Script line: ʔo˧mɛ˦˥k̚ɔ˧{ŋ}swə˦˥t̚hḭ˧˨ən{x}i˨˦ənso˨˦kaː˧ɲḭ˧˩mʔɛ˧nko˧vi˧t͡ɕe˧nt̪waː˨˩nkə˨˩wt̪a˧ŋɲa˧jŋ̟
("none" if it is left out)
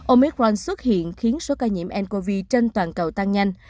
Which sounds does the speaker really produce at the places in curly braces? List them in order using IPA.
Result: n, x

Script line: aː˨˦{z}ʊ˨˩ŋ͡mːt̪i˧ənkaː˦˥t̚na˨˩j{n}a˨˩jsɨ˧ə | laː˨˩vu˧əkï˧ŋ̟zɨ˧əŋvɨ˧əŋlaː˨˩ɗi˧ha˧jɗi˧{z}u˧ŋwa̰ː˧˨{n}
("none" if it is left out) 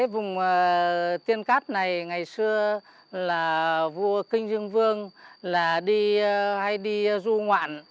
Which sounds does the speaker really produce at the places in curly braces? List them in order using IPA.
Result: v, ŋ, z, n

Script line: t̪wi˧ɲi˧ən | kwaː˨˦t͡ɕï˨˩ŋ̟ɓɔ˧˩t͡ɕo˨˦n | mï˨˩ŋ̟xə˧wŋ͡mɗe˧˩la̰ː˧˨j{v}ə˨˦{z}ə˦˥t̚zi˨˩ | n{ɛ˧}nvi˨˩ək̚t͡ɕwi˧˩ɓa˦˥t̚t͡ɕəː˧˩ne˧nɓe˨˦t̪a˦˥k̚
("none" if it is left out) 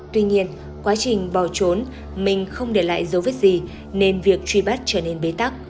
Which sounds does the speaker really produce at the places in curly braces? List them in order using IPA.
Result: z, v, e˧

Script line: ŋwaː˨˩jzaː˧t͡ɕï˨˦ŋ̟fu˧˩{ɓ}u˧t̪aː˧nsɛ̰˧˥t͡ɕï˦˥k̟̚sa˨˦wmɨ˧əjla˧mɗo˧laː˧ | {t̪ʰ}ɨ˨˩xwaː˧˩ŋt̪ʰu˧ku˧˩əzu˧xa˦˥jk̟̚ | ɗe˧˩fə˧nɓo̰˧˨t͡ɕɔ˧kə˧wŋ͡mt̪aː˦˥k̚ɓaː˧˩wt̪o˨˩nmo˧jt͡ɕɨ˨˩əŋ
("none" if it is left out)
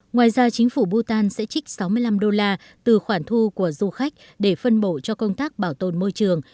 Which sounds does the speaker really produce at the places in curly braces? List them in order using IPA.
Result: ɓ, t̪

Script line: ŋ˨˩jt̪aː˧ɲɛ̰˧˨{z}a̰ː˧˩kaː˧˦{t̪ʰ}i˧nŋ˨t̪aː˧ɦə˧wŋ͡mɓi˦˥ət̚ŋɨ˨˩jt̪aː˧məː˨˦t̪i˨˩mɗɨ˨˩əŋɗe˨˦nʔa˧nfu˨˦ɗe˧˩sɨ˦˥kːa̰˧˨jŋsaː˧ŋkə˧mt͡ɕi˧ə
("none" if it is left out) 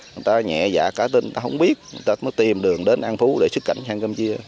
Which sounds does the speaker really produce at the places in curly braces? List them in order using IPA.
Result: z, t̪

